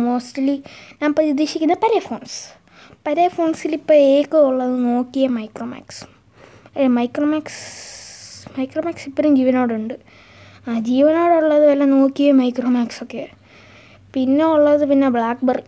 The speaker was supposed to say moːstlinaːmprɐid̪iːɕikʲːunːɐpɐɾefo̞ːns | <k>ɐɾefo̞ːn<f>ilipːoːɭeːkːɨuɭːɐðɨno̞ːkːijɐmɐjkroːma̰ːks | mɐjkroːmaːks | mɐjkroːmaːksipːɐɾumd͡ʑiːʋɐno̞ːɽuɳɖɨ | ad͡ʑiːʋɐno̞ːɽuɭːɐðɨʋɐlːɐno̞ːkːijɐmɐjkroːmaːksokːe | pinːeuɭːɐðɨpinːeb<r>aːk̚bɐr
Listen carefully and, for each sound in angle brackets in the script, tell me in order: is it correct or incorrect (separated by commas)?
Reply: incorrect, incorrect, incorrect